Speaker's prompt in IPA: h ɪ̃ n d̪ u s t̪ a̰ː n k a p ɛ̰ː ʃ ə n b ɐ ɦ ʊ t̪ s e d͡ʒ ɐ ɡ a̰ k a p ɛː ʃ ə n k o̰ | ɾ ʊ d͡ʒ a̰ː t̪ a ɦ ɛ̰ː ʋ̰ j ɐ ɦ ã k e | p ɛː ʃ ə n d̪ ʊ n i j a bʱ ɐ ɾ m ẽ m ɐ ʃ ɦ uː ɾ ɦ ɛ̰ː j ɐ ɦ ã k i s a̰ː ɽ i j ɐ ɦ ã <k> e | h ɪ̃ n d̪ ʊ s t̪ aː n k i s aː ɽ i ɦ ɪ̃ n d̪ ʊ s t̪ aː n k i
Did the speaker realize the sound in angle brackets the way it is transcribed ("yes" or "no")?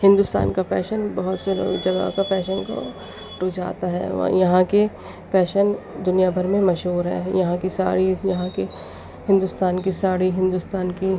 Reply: yes